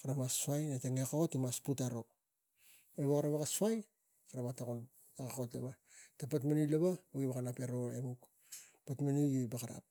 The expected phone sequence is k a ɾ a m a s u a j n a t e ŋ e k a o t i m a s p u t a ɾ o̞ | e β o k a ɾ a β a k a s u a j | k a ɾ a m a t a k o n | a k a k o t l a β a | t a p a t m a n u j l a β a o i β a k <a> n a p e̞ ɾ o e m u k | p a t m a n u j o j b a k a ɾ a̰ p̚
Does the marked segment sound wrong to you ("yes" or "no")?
no